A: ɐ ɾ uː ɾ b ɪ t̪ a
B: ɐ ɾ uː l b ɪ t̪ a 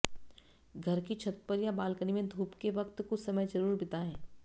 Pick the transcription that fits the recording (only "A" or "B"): A